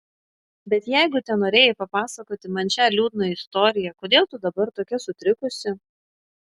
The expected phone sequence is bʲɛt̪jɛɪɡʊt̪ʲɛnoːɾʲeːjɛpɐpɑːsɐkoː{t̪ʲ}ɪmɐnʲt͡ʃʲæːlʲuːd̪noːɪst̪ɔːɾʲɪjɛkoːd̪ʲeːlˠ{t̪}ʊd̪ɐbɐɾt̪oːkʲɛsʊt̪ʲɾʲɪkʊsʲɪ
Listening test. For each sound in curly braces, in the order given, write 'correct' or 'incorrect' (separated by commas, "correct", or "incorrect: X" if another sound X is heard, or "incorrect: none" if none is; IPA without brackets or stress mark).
correct, correct